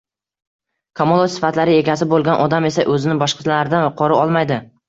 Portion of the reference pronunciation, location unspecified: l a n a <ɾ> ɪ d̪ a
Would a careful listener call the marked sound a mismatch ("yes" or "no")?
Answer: no